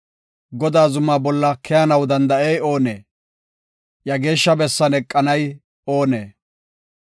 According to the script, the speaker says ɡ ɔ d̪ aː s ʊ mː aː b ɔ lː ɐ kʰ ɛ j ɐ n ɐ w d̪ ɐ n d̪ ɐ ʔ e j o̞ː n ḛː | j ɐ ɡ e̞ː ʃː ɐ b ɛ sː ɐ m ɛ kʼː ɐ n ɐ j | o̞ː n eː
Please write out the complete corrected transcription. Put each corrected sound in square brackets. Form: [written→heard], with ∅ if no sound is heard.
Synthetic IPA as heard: ɡ ɔ d̪ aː [s→z] ʊ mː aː b ɔ lː ɐ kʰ ɛ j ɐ n ɐ w d̪ ɐ n d̪ ɐ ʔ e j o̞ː n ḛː | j ɐ ɡ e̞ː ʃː ɐ b ɛ sː ɐ [m→n] ɛ kʼː ɐ n ɐ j | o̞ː n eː